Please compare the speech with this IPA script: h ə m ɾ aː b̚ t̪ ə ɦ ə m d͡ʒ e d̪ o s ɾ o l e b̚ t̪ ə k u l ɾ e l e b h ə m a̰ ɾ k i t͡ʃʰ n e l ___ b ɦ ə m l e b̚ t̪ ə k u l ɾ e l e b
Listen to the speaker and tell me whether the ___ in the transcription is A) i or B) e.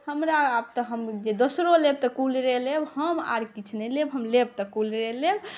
B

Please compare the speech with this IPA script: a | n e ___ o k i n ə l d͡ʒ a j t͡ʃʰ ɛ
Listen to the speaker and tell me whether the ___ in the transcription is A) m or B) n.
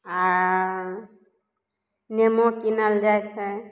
A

